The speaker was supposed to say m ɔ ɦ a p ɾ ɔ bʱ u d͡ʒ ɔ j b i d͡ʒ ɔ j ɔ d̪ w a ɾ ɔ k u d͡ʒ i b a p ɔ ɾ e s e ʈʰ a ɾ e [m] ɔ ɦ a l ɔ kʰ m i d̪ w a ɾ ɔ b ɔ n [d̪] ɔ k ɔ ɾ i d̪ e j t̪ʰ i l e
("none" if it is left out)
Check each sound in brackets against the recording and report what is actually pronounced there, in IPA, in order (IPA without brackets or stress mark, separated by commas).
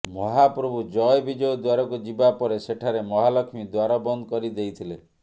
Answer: m, d̪